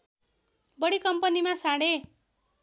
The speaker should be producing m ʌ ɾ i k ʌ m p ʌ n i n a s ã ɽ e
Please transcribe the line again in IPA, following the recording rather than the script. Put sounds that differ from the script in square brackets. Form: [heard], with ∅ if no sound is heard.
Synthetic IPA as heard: [b] ʌ [ɽ] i k ʌ m p ʌ n i [m] a s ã ɽ e